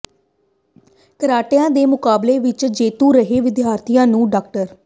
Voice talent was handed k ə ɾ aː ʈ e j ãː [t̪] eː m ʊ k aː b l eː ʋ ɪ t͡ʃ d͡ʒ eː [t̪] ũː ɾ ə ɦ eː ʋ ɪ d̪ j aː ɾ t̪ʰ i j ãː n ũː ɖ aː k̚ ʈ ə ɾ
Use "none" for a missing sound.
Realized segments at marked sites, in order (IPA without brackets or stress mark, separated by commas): d̪, t̪